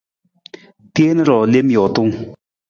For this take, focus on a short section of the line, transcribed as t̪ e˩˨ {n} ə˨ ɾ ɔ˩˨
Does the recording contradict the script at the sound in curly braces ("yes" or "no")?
no